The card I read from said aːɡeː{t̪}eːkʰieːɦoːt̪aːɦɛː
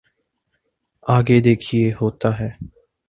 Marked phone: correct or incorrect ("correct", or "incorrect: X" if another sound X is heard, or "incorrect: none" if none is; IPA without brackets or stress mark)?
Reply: incorrect: d̪